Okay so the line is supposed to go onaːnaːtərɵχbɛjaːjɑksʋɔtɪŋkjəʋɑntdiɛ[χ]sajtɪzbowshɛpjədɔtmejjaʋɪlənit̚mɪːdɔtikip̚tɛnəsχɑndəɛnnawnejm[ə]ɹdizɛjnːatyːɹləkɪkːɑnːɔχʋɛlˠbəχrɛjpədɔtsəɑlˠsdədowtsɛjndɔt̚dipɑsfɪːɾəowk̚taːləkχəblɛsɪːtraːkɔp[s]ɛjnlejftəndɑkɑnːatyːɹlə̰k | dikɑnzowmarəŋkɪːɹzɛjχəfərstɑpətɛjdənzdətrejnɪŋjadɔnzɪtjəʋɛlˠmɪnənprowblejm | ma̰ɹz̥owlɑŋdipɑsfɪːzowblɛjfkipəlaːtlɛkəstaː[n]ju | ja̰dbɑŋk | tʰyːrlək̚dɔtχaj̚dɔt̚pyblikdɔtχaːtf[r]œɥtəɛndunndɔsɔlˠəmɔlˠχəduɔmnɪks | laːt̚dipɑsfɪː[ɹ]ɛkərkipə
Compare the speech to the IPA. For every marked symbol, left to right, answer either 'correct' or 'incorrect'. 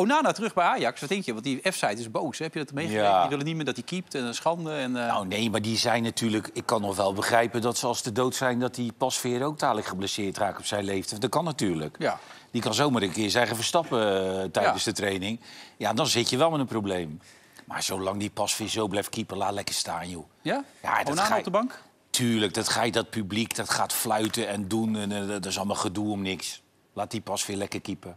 incorrect, incorrect, correct, correct, incorrect, incorrect

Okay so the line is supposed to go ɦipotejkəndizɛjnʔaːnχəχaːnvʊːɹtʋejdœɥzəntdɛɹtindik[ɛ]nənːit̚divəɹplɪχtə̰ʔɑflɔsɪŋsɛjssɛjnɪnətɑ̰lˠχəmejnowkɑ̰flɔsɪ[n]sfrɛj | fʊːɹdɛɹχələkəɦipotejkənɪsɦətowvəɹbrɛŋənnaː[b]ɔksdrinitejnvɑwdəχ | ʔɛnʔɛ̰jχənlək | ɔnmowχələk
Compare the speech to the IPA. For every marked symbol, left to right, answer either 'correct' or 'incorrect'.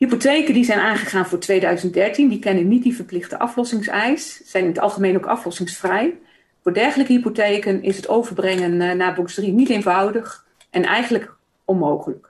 correct, incorrect, correct

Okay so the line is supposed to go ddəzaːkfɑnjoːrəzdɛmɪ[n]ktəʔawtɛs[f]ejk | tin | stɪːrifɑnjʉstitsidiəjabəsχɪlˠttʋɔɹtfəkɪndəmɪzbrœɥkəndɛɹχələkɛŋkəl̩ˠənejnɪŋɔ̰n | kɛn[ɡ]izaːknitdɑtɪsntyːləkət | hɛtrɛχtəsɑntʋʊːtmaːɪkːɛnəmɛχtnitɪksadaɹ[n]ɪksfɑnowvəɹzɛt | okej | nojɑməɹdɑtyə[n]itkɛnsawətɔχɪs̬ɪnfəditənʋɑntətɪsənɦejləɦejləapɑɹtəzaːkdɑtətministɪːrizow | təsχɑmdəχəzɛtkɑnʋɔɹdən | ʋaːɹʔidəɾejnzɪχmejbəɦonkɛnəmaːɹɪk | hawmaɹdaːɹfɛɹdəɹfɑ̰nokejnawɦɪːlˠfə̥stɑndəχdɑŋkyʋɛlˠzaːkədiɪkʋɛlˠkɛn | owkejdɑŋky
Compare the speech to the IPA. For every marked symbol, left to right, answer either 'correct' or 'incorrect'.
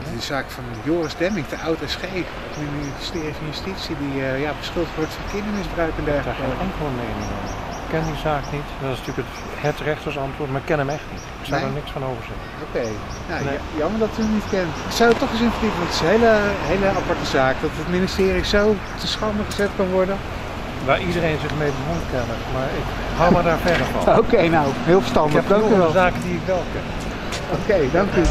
incorrect, incorrect, incorrect, correct, correct

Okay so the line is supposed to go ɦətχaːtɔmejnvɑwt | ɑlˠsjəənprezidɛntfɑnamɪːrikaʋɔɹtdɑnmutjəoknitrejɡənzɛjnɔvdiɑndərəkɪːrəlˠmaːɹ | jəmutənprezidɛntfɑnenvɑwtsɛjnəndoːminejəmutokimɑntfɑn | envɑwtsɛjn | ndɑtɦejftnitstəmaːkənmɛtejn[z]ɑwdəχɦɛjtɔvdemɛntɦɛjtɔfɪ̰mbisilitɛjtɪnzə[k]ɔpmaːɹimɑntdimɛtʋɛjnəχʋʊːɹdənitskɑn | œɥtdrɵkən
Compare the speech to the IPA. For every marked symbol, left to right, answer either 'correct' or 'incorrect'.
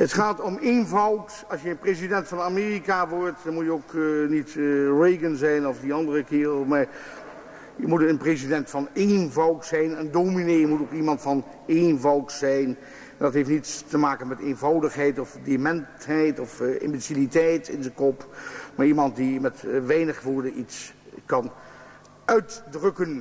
incorrect, correct

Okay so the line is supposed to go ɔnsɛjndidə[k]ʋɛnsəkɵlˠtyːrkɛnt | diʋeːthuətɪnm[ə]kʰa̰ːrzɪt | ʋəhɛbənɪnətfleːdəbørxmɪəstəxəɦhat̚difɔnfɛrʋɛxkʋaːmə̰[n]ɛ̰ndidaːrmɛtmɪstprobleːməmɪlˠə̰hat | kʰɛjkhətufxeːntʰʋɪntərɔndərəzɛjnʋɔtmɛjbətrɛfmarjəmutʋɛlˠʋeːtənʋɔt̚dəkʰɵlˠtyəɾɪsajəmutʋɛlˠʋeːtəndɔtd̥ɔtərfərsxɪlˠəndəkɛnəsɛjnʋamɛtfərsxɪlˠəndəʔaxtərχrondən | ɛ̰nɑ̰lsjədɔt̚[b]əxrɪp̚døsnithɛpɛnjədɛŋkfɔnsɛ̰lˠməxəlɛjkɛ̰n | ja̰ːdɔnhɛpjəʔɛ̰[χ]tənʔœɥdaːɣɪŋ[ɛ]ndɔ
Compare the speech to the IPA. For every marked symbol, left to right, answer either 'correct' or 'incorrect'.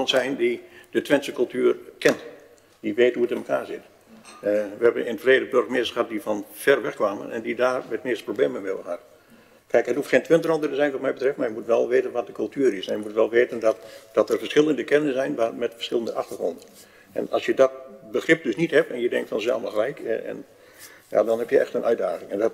incorrect, correct, correct, correct, incorrect, correct

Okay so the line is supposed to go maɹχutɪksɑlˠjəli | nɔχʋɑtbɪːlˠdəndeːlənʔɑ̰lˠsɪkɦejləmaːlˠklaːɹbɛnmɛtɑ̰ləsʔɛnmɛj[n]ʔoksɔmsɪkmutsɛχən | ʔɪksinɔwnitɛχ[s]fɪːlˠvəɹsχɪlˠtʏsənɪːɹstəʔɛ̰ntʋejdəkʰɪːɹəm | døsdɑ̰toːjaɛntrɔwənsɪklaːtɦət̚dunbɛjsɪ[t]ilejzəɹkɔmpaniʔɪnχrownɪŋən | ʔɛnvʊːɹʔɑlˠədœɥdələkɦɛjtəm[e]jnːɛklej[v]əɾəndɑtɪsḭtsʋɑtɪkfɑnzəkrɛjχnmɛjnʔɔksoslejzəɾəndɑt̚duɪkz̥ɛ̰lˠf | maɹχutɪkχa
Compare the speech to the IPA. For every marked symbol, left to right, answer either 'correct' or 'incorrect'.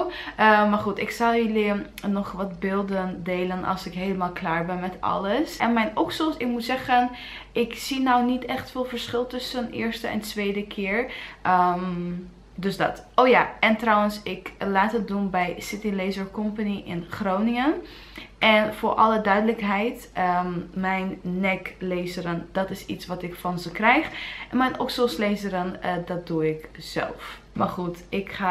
correct, incorrect, correct, incorrect, incorrect

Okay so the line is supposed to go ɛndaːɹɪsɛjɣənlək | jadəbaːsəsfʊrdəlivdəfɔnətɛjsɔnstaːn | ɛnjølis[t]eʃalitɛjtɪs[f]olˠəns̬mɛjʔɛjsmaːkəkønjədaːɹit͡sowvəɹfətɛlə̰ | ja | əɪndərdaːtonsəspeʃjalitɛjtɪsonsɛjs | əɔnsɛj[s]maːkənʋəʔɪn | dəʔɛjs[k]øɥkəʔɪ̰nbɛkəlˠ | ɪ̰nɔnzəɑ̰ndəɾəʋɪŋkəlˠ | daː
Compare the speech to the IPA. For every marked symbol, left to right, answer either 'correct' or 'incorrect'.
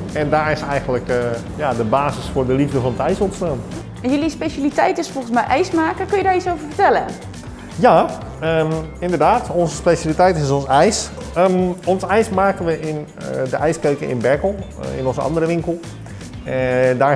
incorrect, correct, correct, correct

